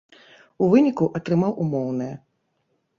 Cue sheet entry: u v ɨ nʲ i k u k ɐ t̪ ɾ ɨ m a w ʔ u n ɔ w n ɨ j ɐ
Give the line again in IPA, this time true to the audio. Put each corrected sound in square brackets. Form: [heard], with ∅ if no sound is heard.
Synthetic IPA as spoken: u v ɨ nʲ i k u [ʔ] ɐ t̪ ɾ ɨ m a w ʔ u [m] ɔ w n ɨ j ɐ